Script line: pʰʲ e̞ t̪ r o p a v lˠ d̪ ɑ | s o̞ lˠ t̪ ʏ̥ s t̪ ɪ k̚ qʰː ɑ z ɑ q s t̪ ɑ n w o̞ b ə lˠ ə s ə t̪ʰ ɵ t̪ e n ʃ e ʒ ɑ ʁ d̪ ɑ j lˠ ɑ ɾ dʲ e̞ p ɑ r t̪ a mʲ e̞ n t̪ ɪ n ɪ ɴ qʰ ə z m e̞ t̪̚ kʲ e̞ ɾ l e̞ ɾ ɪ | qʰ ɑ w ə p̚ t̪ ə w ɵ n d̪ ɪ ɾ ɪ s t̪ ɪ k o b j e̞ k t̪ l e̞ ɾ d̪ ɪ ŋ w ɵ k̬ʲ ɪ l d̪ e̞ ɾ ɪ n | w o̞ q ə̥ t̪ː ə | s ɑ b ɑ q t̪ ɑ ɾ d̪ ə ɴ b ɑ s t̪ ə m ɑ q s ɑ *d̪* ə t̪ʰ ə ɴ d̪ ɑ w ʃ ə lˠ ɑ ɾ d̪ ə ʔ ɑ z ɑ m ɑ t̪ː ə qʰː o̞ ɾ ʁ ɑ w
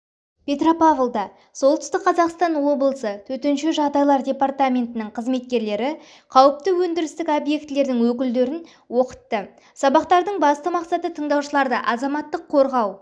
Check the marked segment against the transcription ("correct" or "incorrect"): incorrect